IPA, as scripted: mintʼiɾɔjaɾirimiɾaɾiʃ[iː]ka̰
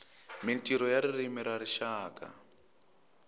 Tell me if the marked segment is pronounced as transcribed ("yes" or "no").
no